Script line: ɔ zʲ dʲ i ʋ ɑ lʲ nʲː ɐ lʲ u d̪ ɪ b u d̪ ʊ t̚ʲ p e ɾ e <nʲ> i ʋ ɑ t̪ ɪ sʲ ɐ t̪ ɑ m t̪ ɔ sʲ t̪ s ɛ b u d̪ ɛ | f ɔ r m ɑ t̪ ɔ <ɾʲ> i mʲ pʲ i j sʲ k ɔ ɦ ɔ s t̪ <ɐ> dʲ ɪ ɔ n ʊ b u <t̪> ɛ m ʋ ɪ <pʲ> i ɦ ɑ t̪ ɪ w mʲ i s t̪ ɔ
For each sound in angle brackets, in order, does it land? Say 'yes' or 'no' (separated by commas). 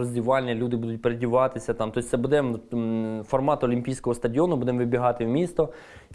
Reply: no, no, yes, no, no